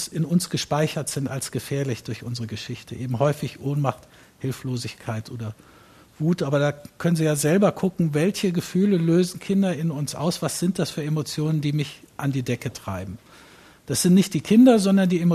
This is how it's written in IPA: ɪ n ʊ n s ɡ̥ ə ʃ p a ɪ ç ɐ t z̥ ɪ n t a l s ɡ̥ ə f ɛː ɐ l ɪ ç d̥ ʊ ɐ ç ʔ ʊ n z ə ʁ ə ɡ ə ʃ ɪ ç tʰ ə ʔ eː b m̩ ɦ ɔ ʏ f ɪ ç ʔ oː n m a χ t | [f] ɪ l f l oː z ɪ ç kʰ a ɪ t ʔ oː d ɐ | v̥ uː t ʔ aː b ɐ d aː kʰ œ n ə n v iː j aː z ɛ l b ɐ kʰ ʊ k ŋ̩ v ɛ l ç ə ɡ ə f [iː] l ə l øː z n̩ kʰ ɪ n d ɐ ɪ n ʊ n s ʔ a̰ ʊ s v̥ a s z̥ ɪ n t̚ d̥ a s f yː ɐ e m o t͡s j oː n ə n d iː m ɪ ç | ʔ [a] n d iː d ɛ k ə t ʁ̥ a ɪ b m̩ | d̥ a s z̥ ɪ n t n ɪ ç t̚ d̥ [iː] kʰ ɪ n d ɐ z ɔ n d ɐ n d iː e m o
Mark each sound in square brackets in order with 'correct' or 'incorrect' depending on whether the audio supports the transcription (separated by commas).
incorrect, incorrect, correct, correct